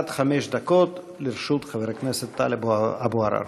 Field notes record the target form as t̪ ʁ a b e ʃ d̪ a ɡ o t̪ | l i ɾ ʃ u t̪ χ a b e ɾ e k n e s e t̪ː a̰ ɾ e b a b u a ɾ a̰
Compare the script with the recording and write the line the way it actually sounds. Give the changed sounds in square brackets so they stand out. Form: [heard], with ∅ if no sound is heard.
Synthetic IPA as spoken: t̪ [χ] a [m] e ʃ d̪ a [k] o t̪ | l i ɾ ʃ u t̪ χ a [v] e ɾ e k n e s e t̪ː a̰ [l] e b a b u a ɾ a̰